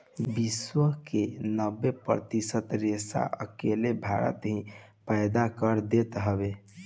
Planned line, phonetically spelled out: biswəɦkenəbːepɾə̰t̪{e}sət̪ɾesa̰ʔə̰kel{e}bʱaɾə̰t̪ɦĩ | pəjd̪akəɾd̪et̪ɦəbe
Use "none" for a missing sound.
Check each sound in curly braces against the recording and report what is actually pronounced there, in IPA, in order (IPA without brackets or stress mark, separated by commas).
i, e